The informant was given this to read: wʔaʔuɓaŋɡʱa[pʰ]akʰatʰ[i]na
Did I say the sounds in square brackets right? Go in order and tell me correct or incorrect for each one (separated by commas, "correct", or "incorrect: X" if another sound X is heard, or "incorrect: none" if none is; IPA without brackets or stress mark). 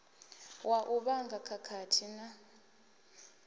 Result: incorrect: kʰ, correct